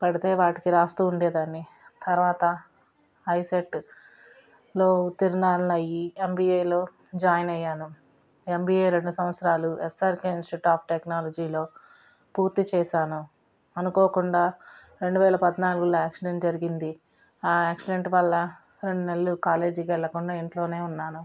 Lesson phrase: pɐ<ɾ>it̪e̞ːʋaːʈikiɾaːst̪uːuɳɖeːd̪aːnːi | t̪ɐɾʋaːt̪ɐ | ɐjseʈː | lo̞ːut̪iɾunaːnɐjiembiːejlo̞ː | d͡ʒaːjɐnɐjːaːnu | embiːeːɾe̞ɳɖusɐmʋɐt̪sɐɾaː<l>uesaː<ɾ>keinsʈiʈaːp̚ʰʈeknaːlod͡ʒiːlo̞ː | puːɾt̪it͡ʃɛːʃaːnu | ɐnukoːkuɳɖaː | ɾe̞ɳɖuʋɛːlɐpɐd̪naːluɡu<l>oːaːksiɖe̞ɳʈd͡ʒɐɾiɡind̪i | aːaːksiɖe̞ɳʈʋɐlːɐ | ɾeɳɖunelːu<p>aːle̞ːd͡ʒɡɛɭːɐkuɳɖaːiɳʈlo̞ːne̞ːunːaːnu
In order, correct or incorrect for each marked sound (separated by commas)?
incorrect, correct, correct, correct, incorrect